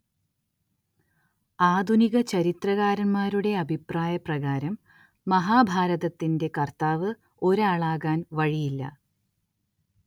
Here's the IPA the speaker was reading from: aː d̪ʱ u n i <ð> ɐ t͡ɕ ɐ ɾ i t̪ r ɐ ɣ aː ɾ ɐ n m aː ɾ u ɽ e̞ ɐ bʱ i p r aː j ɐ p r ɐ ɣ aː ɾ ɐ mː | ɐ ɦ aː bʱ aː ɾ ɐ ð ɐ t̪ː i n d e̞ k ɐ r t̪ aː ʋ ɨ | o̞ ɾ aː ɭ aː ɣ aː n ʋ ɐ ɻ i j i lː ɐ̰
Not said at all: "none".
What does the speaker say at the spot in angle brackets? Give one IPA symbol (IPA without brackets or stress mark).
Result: ɣ